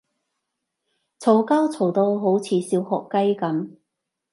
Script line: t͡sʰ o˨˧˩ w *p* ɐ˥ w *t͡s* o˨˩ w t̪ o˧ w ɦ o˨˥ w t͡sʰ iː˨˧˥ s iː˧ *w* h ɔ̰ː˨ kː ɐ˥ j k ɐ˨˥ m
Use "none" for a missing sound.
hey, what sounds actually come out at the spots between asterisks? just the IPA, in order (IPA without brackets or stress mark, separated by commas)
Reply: k, t͡sʰ, w